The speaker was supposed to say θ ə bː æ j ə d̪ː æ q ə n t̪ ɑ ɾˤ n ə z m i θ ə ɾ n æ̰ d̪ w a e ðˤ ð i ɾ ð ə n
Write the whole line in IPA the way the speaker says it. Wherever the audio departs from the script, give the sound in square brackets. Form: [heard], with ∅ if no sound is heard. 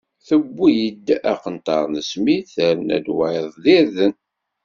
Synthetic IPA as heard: θ ə bː [i] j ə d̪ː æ q ə n t̪ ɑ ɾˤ n ə [s] m i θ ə ɾ n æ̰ d̪ w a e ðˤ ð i ɾ ð ə n